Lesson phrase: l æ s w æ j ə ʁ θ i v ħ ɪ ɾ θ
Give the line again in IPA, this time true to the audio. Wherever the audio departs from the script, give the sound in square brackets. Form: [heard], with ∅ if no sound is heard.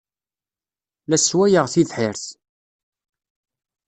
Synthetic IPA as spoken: l æ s w æ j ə ʁ θ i [ð] ħ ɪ ɾ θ